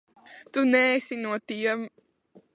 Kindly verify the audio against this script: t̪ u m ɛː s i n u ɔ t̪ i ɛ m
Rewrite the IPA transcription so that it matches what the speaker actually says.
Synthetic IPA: t̪ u n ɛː s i n u ɔ t̪ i ɛ m

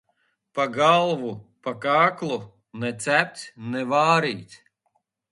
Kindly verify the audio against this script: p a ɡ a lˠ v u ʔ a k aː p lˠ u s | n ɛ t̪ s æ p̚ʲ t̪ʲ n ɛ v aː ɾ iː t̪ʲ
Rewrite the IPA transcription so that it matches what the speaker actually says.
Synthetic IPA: p a ɡ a lˠ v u p a k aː k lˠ u | n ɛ t̪ s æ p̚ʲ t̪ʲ n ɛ v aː ɾ iː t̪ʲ

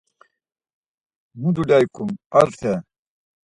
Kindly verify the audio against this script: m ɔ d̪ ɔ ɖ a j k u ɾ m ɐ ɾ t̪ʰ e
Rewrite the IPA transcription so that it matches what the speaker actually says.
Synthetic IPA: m u d̪ u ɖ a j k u m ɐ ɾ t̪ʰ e

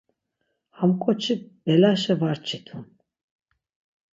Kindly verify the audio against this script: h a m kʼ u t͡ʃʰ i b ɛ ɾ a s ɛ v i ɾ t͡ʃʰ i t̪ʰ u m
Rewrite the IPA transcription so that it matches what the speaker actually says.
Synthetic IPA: h a m kʼ ɔ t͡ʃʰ i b ɛ l a ʃ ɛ v a ɾ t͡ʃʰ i t̪ʰ u n

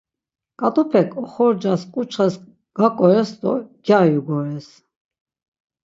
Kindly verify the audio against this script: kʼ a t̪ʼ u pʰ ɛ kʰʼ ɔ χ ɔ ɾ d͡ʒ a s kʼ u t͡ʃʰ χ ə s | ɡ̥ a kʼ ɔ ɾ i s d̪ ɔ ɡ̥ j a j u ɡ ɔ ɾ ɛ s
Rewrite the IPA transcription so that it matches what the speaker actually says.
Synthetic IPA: kʼ a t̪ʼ u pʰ ɛ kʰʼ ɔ χ ɔ ɾ d͡ʒ a s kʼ u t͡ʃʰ χ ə s | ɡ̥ a kʼ ɔ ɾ ɛ s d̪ ɔ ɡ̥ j a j u ɡ ɔ ɾ ɛ s

